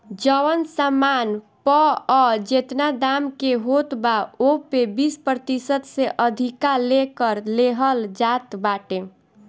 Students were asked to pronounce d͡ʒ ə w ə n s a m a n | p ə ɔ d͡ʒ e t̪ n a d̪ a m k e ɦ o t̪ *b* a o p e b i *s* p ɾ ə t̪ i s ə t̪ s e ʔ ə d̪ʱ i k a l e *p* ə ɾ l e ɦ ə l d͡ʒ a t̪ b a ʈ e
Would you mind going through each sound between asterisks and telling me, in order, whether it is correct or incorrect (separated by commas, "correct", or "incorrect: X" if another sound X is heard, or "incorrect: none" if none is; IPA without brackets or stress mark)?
correct, correct, incorrect: k